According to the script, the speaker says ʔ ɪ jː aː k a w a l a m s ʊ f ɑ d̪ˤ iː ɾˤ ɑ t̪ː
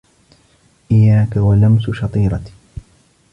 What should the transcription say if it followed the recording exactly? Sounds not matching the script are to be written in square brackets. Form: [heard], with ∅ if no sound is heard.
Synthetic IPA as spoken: ʔ ɪ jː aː k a w a l a m s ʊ [ʃ] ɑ [t̪ˤ] iː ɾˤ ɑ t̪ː